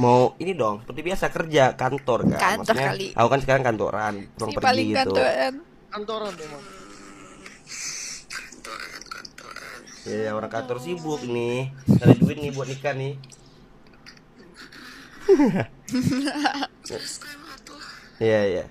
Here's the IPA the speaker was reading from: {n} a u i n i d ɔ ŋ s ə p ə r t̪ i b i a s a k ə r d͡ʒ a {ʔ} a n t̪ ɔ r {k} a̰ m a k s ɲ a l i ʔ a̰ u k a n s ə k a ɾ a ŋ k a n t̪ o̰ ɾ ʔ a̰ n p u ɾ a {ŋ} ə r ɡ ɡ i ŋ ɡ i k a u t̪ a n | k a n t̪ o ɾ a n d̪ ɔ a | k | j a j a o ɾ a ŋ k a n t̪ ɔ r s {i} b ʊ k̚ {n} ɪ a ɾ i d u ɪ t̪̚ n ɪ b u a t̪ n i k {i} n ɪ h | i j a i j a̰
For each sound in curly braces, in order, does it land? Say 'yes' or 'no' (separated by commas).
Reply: no, no, yes, yes, yes, yes, no